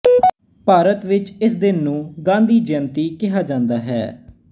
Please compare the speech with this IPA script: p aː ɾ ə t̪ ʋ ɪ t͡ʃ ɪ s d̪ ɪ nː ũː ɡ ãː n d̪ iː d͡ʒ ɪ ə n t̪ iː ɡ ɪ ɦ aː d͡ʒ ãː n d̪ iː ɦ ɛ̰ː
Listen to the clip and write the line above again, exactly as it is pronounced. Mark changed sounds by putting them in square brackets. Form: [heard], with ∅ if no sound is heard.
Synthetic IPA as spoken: p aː ɾ ə t̪ ʋ ɪ t͡ʃ ɪ s d̪ ɪ nː ũː ɡ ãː n d̪ iː d͡ʒ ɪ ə n t̪ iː [k] ɪ ɦ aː d͡ʒ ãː n d̪ [aː] ɦ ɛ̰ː

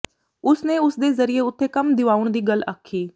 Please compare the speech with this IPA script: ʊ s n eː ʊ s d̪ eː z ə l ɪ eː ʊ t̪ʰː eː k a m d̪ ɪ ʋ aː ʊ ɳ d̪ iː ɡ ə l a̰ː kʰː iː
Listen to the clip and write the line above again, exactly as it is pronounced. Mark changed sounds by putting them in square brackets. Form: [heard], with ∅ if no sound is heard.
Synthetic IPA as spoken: ʊ s n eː ʊ s d̪ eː z ə [ɾ] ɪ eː ʊ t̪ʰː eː k [ə] m d̪ ɪ ʋ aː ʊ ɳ d̪ iː ɡ ə l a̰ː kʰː iː

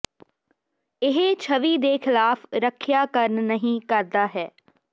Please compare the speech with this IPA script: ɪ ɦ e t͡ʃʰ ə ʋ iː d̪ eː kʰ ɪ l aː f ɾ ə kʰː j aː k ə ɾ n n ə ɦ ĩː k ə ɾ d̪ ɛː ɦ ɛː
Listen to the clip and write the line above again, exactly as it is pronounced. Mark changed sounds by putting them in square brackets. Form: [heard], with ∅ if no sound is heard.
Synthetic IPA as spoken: ɪ ɦ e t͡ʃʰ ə ʋ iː d̪ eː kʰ ɪ l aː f ɾ ə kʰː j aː k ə ɾ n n ə ɦ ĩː k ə ɾ d̪ [aː] ɦ ɛː

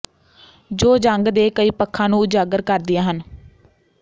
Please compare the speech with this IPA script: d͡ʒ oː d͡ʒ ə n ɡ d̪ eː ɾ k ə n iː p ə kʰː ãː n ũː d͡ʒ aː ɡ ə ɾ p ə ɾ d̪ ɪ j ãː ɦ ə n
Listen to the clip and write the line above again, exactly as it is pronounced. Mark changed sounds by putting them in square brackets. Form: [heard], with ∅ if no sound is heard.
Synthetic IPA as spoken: d͡ʒ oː d͡ʒ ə [ŋ] ɡ d̪ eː [∅] k ə [∅] iː p ə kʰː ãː n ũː d͡ʒ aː ɡ ə ɾ [k] ə ɾ d̪ ɪ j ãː ɦ ə n

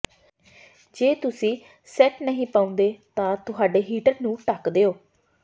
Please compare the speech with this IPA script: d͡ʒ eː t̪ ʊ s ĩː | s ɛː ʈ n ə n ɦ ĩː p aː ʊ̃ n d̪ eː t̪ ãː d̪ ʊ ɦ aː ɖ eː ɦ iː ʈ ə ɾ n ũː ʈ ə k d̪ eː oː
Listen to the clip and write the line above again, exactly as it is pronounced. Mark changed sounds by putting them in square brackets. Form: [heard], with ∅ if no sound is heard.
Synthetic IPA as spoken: d͡ʒ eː t̪ ʊ s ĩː | s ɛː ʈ n ə [∅] ɦ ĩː p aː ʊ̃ n d̪ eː t̪ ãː [t̪] ʊ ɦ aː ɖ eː ɦ iː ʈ ə ɾ n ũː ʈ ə k d̪ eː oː

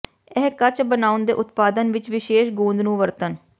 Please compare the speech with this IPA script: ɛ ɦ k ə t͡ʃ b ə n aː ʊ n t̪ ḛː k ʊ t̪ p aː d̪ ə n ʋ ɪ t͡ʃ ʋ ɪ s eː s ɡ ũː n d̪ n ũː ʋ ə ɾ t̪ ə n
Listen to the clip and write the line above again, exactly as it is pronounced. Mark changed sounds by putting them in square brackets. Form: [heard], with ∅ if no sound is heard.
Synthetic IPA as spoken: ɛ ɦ k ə t͡ʃ b ə n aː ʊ n [d̪] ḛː [ʔ] ʊ t̪ p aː d̪ ə n ʋ ɪ t͡ʃ ʋ ɪ [ʃ] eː [ʃ] ɡ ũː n d̪ n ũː ʋ ə ɾ t̪ ə n

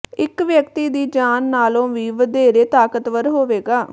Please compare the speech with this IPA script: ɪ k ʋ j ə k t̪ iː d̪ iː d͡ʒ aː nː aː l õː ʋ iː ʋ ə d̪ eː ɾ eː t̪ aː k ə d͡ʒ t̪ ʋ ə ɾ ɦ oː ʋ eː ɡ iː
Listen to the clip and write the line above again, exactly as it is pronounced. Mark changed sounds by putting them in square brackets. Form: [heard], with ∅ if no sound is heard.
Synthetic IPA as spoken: ɪ k ʋ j ə k t̪ iː d̪ iː d͡ʒ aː nː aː l õː ʋ iː ʋ ə d̪ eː ɾ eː t̪ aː k ə [∅] t̪ ʋ ə ɾ ɦ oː ʋ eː ɡ [aː]

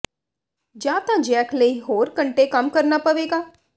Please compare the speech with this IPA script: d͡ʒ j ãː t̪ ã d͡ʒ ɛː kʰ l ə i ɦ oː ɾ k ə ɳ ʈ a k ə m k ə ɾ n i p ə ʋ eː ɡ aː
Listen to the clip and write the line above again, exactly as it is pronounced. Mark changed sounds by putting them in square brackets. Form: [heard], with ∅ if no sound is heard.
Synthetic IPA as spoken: d͡ʒ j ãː t̪ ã d͡ʒ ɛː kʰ l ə i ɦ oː ɾ k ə ɳ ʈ [e] k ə m k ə ɾ n [a] p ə ʋ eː ɡ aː

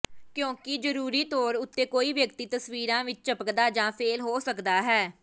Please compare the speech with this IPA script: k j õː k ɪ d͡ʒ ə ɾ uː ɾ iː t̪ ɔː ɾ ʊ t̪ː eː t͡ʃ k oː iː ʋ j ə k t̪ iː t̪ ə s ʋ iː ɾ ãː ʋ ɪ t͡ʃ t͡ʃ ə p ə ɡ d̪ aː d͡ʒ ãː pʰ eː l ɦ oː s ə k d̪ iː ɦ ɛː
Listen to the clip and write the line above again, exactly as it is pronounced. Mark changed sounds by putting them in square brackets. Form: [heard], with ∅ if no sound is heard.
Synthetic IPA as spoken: k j õː k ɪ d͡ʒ ə ɾ uː ɾ iː t̪ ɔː ɾ ʊ t̪ː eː [∅] k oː iː ʋ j ə k t̪ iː t̪ ə s ʋ iː ɾ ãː ʋ ɪ t͡ʃ t͡ʃ ə p ə [k] d̪ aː d͡ʒ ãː pʰ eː l ɦ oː s ə k d̪ [aː] ɦ ɛː

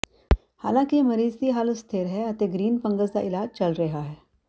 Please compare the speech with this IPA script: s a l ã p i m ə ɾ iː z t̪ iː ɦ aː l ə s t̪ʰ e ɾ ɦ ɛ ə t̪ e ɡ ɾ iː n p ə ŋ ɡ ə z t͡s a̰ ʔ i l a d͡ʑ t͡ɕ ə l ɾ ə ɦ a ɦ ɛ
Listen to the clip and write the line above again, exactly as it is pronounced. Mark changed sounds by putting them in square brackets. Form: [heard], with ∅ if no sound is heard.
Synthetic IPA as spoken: [h] a l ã [k] i m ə ɾ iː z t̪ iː ɦ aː l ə s t̪ʰ e ɾ ɦ ɛ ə t̪ e ɡ ɾ iː n p ə ŋ ɡ ə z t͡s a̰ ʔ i l a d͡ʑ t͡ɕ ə l ɾ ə ɦ a ɦ ɛ

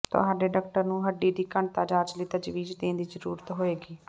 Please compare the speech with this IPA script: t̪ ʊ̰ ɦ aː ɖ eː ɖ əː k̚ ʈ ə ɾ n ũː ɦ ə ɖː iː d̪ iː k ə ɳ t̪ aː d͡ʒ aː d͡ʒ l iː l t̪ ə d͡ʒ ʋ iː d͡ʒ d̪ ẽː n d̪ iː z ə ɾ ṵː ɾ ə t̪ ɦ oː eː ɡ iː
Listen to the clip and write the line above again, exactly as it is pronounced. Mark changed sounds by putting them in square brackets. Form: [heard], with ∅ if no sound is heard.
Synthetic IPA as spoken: t̪ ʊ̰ ɦ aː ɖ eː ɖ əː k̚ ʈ ə ɾ n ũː ɦ ə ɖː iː d̪ iː k ə ɳ t̪ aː d͡ʒ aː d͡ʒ l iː [∅] t̪ ə d͡ʒ ʋ iː d͡ʒ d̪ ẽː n d̪ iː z ə ɾ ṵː ɾ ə t̪ ɦ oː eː ɡ iː

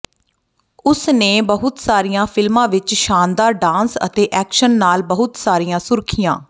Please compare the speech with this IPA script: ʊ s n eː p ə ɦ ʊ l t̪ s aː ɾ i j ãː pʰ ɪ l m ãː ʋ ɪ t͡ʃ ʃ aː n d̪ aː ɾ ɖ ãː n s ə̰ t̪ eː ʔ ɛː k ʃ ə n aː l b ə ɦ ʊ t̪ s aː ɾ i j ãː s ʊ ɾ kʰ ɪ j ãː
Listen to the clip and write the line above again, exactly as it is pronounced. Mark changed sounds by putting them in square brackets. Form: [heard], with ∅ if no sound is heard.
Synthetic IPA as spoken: ʊ s n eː [b] ə ɦ ʊ [∅] t̪ s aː ɾ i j ãː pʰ ɪ l m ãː ʋ ɪ t͡ʃ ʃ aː n d̪ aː ɾ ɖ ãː n s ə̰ t̪ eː ʔ ɛː k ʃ ə [nː] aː l b ə ɦ ʊ t̪ s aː ɾ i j ãː s ʊ ɾ kʰ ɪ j ãː

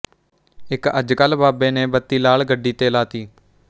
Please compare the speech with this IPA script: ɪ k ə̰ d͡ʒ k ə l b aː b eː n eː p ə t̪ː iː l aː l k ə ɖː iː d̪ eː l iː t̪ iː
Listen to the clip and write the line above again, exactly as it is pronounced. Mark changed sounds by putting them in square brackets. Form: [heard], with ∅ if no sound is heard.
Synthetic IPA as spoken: ɪ k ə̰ d͡ʒ k ə l b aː b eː n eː [b] ə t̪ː iː l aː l [ɡ] ə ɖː iː [t̪] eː l [aː] t̪ iː

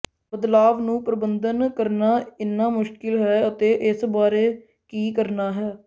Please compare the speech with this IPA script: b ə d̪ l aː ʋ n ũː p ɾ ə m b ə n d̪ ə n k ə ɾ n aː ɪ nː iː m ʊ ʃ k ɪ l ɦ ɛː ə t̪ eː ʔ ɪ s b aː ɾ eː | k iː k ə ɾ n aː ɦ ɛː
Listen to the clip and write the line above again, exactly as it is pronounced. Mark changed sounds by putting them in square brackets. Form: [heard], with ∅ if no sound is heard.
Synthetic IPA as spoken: b ə d̪ l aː ʋ n ũː p ɾ ə [∅] b ə n d̪ ə n k ə ɾ n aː ɪ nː [aː] m ʊ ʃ k ɪ l ɦ ɛː ə t̪ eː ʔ ɪ s b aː ɾ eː | k iː k ə ɾ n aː ɦ ɛː

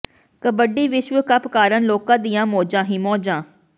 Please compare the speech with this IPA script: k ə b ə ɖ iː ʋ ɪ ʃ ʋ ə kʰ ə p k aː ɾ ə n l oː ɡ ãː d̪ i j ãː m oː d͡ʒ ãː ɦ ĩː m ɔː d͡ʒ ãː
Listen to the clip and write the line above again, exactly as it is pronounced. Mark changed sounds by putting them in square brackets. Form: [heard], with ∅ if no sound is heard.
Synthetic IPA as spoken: k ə b ə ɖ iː ʋ ɪ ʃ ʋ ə [k] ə p k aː ɾ ə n l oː [k] ãː d̪ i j ãː m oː d͡ʒ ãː ɦ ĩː m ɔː d͡ʒ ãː

